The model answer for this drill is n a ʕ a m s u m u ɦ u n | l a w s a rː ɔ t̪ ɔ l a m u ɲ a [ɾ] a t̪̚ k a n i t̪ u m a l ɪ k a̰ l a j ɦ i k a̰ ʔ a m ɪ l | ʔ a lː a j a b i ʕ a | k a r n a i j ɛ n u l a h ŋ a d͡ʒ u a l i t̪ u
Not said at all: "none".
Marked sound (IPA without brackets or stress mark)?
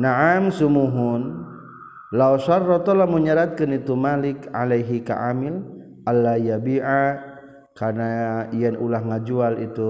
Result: ɾ